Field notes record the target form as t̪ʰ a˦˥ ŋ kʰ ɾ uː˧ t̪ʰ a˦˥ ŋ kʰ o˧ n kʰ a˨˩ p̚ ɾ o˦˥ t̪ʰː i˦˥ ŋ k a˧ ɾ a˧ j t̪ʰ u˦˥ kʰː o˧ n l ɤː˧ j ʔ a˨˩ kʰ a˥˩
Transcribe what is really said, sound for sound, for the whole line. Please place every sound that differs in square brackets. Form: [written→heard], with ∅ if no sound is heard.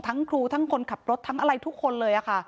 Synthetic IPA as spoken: t̪ʰ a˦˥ ŋ kʰ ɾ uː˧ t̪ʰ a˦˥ ŋ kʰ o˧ n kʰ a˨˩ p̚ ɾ o˦˥ t̪ʰː [i˦˥→a˦˥] ŋ [k→ʔ] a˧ ɾ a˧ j t̪ʰ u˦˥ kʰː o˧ n l ɤː˧ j ʔ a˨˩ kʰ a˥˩